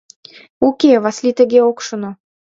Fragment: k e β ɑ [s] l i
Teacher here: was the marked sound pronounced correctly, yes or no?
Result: yes